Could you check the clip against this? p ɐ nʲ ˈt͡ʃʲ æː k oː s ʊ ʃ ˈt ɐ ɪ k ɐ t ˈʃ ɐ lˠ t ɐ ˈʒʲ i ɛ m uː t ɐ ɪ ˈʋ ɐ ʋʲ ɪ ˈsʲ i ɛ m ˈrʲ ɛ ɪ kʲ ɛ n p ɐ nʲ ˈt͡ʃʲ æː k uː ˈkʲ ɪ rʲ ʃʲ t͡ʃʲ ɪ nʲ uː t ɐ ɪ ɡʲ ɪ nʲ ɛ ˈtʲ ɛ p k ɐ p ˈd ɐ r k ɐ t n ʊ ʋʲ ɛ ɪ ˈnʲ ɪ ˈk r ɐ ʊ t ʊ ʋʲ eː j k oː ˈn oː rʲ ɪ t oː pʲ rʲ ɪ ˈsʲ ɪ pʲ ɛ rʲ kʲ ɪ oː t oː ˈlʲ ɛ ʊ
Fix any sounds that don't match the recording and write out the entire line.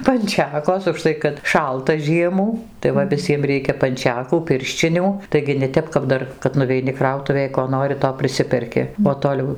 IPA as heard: p ɐ nʲ ˈt͡ʃʲ æː k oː s ʊ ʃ ˈt ɐ ɪ k ɐ t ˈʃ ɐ lˠ t ɐ ˈʒʲ i ɛ m uː t ɐ ɪ ˈʋ ɐ ʋʲ ɪ ˈsʲ i ɛ m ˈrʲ ɛ ɪ kʲ ɛ p ɐ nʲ ˈt͡ʃʲ æː k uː ˈpʲ ɪ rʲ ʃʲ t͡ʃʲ ɪ nʲ uː t ɐ ɪ ɡʲ ɪ nʲ ɛ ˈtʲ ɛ p k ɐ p ˈd ɐ r k ɐ t n ʊ ʋʲ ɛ ɪ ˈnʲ ɪ ˈk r ɐ ʊ t ʊ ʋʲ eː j k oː ˈn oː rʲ ɪ t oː pʲ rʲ ɪ ˈsʲ ɪ pʲ ɛ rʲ kʲ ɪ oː t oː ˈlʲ ɛ ʊ